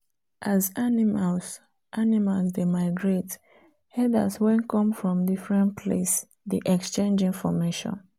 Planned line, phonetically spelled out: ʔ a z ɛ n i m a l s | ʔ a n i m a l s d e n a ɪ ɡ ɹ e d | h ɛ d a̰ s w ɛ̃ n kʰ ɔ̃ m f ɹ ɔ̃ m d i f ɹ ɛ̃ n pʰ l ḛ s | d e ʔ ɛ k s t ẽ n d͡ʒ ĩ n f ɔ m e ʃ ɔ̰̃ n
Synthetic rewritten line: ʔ a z a n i m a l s | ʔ a n i m a l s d e m a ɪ ɡ ɹ e t | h ɛ d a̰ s w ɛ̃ n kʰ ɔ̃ m f ɹ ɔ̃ m d i f ɹ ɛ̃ n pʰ l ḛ s | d i ʔ ɛ k s t͡ʃ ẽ n d͡ʒ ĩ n f ɔ m e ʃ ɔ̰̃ n